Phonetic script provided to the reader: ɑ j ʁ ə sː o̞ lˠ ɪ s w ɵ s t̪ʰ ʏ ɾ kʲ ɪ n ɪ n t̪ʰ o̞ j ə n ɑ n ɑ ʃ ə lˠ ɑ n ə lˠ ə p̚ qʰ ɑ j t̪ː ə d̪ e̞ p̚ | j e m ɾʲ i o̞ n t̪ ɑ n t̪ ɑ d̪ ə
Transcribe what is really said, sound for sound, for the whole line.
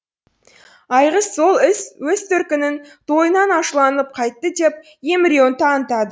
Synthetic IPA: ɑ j ʁ ə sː o̞ lˠ ɪ s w ɵ s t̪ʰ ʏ ɾ kʲ ɪ n ɪ n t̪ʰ o̞ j ə n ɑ n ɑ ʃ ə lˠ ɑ n ə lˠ ə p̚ qʰ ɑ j t̪ː ə d̪ e̞ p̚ | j e m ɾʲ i o̞ n t̪ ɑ n t̪ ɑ d̪ ə

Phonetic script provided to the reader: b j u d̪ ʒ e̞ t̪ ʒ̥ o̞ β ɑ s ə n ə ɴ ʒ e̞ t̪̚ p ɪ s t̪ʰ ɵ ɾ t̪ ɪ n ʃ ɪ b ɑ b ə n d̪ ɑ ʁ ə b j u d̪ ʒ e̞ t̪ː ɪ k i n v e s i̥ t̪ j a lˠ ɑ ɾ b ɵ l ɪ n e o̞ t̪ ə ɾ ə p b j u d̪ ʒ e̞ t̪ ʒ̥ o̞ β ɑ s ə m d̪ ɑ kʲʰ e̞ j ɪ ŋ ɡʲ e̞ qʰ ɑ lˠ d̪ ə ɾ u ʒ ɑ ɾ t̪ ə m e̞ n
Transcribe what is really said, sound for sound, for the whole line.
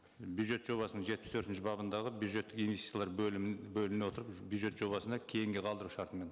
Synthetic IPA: b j u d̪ ʒ e̞ t̪ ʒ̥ o̞ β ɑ s ə n ə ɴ ʒ e̞ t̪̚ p ɪ s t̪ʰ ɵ ɾ t̪ ɪ n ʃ ɪ b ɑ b ə n d̪ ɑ ʁ ə b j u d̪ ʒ e̞ t̪ː ɪ k i n v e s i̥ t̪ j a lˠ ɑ ɾ b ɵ l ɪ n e o̞ t̪ ə ɾ ə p b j u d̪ ʒ e̞ t̪ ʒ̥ o̞ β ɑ s ə n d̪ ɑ kʲʰ e̞ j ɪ ŋ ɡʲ e̞ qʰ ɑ lˠ d̪ ə ɾ u ʃ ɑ ɾ t̪ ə m e̞ n

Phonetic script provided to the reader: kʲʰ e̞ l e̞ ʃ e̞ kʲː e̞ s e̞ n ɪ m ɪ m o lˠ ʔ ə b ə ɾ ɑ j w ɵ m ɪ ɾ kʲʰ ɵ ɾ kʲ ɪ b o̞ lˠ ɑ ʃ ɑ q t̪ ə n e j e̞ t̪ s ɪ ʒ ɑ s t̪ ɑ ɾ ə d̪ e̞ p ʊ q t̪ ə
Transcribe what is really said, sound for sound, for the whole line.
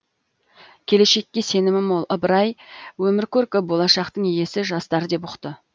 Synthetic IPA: kʲʰ e̞ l e̞ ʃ e̞ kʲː e̞ s e̞ n ɪ m ɪ m o lˠ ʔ ə b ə ɾ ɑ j w ɵ m ɪ ɾ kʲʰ ɵ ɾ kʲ ɪ b o̞ lˠ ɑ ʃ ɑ q t̪ ə ɴ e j e̞ s ɪ ʒ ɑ s t̪ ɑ ɾ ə d̪ e̞ p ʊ q t̪ ə

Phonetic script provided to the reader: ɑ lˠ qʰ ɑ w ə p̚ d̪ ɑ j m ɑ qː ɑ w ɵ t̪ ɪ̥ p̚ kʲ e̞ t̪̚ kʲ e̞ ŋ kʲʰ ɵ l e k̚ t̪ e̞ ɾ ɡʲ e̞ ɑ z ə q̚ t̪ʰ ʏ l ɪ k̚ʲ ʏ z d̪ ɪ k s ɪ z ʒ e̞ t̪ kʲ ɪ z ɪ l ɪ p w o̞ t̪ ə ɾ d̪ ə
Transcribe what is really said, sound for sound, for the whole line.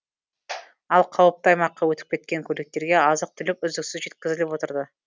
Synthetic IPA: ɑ lˠ qʰ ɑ w ə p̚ t̪ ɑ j m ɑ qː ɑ w ɵ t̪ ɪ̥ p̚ kʲ e̞ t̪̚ kʲ e̞ ŋ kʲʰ ɵ l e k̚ t̪ e̞ ɾ ɡʲ e̞ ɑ z ə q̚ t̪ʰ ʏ l ɪ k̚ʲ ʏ z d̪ ɪ k s ɪ z ʒ e̞ t̪ kʲ ɪ z ɪ l ɪ p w o̞ t̪ ə ɾ d̪ ə

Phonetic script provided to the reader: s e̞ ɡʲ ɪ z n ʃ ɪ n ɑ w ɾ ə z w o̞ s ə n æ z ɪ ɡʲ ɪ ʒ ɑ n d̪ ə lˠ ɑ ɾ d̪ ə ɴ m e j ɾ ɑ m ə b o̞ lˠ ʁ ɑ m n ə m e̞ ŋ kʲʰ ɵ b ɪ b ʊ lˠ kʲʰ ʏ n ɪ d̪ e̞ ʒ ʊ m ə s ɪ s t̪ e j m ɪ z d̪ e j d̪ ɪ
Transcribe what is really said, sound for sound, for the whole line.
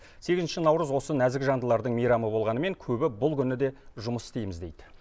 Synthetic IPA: s e̞ ɡʲ ɪ z n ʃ ɪ n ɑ w ɾ ə z w o̞ s ə n æ z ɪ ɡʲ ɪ ʒ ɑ n d̪ ə lˠ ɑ ɾ d̪ ə ɴ m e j ɾ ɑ m ə b o̞ lˠ ʁ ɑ n ə m e̞ ŋ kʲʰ ɵ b ɪ b ʊ lˠ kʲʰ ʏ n ɪ d̪ e̞ ʒ ʊ m ə s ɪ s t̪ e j m ɪ z d̪ e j d̪ ɪ

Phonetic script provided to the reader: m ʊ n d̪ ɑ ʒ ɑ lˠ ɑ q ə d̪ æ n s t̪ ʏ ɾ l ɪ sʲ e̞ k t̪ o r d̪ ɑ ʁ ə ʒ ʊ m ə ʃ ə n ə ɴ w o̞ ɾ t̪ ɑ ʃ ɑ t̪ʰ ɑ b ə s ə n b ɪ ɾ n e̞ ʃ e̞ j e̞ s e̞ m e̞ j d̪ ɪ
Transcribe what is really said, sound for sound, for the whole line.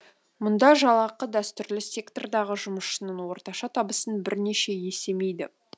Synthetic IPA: m ʊ n d̪ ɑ ʒ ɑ lˠ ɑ q ə d̪ æ s t̪ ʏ ɾ l ɪ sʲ e̞ k t̪ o r d̪ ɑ ʁ ə ʒ ʊ m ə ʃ ə n ə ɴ w o̞ ɾ t̪ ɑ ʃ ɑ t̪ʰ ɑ b ə s ə n b ɪ ɾ n e̞ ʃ e̞ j e̞ s e̞ m e̞ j d̪ ɪ

